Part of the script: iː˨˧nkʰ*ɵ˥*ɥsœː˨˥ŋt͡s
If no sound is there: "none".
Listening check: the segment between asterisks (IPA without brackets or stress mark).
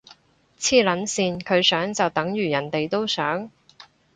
ɵ˨˧